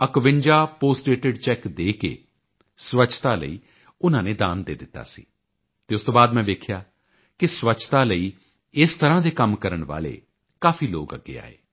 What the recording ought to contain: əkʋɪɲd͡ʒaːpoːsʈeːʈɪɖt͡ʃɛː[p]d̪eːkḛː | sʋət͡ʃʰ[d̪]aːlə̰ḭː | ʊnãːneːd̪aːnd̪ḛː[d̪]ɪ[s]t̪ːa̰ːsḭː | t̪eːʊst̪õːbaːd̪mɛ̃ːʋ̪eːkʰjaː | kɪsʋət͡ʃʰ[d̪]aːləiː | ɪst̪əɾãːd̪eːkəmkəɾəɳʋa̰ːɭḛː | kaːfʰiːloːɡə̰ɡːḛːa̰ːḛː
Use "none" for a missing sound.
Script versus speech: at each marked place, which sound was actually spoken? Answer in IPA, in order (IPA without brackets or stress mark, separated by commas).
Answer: k, t̪, d̪, none, t̪